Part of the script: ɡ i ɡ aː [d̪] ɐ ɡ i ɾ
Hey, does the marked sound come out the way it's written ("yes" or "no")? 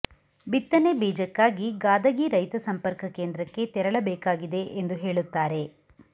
yes